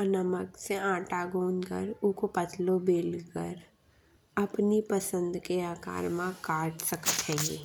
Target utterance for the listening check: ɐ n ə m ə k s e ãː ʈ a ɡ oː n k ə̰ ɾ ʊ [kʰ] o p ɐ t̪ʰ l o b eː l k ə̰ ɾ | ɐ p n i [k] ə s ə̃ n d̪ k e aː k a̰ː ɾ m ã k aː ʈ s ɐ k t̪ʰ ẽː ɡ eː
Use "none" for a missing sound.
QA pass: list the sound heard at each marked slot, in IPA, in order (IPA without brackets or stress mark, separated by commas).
k, p